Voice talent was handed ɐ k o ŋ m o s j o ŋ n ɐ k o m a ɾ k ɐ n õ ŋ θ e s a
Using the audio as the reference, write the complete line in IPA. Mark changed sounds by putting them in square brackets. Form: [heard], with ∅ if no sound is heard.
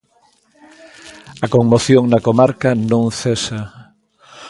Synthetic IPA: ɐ k o ŋ m o [θ] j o ŋ n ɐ k o m a ɾ k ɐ n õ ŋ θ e s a